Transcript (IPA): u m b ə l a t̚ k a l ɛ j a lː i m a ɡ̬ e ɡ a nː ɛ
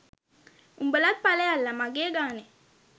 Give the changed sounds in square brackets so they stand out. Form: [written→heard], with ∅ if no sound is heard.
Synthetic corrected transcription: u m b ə l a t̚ [k→p] a l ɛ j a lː [i→a] m a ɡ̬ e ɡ a [nː→n] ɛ